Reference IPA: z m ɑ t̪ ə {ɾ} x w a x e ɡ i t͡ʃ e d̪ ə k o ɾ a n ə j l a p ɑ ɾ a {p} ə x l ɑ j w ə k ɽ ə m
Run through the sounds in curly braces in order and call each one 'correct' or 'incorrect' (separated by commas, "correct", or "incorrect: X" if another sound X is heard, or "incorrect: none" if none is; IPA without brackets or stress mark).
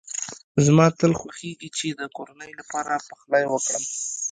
incorrect: l, correct